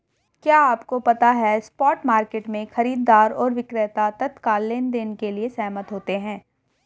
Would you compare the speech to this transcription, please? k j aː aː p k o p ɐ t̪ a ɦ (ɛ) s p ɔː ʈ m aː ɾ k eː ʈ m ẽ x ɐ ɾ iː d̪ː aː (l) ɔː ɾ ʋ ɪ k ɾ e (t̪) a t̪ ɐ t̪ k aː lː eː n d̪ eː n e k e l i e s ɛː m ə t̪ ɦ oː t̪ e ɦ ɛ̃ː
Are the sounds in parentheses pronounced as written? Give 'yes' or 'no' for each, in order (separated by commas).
yes, no, yes